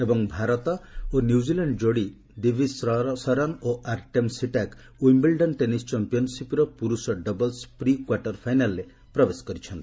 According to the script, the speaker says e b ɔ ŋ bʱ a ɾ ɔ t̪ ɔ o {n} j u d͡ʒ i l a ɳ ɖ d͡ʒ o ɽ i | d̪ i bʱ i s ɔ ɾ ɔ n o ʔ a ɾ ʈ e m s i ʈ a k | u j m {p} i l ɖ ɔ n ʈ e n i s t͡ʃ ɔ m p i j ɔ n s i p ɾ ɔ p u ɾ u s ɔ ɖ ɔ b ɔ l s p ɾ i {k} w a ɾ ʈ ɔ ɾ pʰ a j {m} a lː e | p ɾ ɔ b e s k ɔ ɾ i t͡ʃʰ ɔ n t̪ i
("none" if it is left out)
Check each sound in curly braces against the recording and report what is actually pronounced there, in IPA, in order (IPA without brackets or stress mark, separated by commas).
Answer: n, b, k, n